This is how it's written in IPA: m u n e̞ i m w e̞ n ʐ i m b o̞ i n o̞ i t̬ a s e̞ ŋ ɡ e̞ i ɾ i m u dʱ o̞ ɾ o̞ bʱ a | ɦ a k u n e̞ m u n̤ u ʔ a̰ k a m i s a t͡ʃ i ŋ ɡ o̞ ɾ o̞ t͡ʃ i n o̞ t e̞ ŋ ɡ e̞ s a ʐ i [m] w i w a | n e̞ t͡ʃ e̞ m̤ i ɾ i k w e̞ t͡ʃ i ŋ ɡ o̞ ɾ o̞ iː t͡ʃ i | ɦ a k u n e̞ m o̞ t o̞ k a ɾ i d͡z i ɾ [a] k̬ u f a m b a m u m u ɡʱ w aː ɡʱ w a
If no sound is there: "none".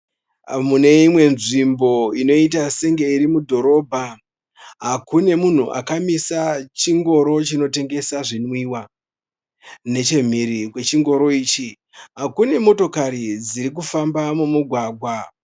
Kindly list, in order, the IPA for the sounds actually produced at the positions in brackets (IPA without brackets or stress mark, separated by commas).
n, i